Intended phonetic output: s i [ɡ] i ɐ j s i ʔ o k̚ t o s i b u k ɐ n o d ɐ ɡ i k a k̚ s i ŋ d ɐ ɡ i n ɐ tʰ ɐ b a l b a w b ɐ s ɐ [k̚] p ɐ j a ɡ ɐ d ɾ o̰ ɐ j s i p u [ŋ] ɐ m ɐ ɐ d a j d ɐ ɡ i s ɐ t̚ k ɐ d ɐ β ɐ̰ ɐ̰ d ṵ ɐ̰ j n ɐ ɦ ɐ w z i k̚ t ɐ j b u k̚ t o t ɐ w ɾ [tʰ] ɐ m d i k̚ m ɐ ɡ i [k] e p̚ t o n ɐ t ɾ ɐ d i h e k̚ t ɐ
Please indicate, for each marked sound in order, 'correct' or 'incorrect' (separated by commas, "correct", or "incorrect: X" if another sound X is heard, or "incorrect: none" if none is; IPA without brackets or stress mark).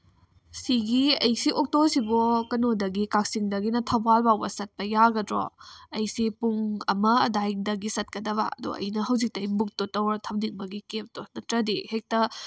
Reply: correct, incorrect: t̚, correct, correct, correct